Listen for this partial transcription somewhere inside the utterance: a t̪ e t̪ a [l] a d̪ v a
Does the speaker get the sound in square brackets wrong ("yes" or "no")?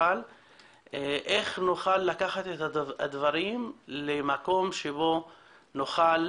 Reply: yes